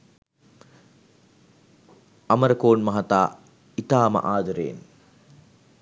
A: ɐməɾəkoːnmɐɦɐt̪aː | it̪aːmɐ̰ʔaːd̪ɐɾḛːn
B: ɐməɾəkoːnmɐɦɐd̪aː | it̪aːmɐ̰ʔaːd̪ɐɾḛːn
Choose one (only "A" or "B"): A